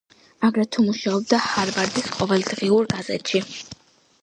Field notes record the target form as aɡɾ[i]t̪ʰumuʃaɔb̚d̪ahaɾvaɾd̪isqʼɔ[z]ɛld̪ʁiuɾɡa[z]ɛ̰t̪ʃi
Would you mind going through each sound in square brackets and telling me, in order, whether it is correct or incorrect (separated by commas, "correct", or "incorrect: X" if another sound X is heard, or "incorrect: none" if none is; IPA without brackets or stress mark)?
incorrect: ɛ, incorrect: v, correct